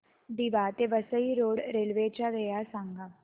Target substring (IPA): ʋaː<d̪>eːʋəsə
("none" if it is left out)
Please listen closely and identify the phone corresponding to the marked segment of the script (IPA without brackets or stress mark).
t̪